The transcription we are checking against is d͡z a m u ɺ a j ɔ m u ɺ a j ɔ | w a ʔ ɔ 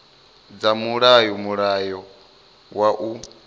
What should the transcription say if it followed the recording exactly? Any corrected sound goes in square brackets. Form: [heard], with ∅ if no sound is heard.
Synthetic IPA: d͡z a m u ɺ a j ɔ m u ɺ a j ɔ | w a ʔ [u]